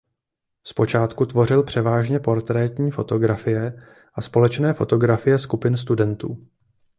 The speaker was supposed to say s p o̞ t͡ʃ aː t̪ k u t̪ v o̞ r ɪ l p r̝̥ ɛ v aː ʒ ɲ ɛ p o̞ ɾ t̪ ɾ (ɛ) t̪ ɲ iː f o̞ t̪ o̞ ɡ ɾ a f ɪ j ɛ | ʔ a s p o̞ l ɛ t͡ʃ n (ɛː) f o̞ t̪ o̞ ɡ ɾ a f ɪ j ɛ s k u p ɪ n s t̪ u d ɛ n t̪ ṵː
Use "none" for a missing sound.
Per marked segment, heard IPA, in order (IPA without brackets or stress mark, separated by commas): ɛː, ɛː